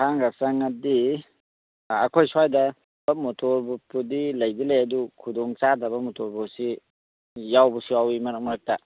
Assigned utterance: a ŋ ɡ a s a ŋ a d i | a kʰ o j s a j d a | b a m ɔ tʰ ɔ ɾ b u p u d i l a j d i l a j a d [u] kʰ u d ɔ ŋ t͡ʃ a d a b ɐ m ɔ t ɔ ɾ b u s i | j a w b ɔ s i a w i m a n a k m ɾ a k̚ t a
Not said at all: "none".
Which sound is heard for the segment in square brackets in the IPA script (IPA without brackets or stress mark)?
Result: u